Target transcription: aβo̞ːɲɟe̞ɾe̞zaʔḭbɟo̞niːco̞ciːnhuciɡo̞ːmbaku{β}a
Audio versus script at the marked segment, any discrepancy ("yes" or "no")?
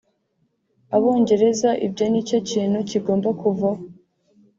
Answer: yes